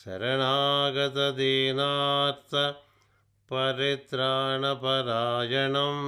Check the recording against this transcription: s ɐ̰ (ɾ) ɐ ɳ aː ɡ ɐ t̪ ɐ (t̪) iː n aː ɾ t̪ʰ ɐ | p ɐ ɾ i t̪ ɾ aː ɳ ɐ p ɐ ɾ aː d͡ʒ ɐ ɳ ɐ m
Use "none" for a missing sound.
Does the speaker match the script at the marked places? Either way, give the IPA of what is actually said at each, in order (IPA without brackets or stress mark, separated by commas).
ɾ, d̪